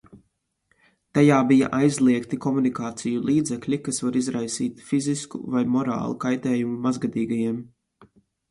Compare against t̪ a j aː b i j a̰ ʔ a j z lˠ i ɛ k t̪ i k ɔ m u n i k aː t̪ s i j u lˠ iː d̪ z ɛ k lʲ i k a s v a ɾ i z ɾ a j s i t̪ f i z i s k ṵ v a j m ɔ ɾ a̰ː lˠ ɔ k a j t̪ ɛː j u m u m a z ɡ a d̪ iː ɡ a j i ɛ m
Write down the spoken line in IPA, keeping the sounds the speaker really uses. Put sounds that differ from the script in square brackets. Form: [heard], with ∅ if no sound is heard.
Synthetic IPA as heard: t̪ a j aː b i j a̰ ʔ a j z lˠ i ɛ k t̪ i k ɔ m u n i k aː t̪ s i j u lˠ iː d̪ z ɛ k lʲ i k a s v a ɾ i z ɾ a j s [iː] t̪ f i z i s k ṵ v a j m ɔ ɾ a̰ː lˠ [u] k a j t̪ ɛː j u m u m a z ɡ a d̪ iː ɡ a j i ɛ m